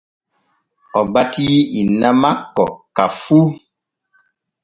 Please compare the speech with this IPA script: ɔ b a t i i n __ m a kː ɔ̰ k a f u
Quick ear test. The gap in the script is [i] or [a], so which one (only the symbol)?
a